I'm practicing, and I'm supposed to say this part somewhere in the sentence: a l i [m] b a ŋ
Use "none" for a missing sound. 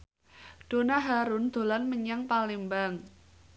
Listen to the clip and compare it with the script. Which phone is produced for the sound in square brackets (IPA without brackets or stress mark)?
m